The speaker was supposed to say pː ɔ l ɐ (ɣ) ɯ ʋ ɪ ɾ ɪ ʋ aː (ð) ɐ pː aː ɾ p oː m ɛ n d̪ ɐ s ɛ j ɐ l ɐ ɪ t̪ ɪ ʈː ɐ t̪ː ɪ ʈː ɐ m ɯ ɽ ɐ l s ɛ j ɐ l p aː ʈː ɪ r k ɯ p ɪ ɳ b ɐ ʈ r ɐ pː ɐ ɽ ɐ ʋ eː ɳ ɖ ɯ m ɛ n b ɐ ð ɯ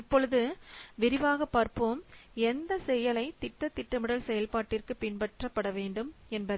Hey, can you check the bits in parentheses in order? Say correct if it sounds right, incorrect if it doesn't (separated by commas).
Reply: incorrect, incorrect